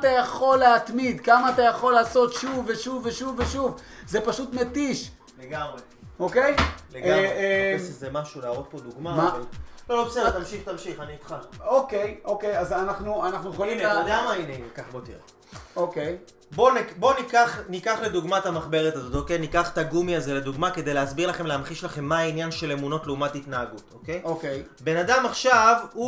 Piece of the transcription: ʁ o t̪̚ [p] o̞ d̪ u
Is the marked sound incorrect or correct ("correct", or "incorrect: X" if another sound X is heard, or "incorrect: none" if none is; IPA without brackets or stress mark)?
correct